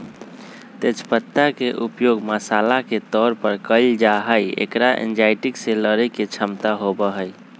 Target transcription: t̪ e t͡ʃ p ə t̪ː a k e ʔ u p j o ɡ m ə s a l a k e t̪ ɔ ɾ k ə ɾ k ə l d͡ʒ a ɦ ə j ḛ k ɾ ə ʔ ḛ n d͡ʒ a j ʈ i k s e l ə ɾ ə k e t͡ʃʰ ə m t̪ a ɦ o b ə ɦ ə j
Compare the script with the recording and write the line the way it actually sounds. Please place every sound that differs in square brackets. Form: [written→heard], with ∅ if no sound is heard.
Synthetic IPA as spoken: t̪ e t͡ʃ p ə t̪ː a k e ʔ u p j o ɡ m ə s a l a k e t̪ ɔ ɾ [k→p] ə ɾ k ə l d͡ʒ a ɦ ə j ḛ k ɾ [ə→a] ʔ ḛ n d͡ʒ a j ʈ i k s e l ə ɾ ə k e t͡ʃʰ ə m t̪ a ɦ o b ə ɦ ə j